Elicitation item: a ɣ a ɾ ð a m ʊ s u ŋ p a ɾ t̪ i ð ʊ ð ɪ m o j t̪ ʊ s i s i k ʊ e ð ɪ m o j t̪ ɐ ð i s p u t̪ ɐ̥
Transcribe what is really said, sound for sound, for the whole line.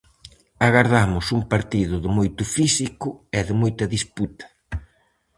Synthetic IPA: a ɣ a ɾ ð a m ʊ s u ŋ p a ɾ t̪ i ð ʊ ð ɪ m o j t̪ ʊ f i s i k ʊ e ð ɪ m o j t̪ ɐ ð i s p u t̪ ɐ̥